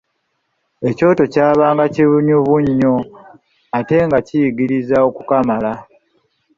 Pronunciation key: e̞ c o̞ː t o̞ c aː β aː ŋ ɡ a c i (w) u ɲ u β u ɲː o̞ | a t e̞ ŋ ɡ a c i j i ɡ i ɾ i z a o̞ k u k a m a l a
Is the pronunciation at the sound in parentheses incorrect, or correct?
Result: incorrect